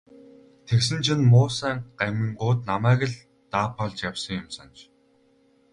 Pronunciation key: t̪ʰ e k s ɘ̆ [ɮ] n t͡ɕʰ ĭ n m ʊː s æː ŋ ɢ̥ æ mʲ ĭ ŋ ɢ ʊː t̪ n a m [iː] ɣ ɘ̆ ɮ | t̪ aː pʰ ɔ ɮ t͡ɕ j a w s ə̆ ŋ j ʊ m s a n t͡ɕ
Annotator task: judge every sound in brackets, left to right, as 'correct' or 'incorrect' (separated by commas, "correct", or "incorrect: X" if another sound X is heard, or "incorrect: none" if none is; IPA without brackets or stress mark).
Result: incorrect: none, incorrect: æː